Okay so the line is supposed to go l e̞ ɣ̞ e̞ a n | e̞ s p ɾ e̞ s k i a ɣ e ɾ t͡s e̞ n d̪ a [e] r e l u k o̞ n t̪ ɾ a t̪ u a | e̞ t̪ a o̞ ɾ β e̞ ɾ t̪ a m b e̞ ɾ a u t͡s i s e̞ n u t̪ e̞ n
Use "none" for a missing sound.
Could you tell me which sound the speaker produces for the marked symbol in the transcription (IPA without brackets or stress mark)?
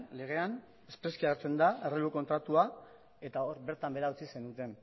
e